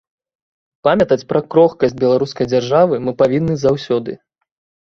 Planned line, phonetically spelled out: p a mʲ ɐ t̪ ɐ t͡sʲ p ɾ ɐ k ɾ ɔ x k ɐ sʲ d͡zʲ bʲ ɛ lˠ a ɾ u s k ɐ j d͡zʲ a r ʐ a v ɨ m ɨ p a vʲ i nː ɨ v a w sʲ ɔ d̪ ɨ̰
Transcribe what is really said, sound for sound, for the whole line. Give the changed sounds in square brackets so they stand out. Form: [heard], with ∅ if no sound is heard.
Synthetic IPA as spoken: p a mʲ ɐ t̪ ɐ t͡sʲ p ɾ ɐ k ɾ ɔ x k ɐ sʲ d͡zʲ bʲ ɛ lˠ a ɾ u s k ɐ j d͡zʲ a r ʐ a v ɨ m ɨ p a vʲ i nː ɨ [z] a w sʲ ɔ d̪ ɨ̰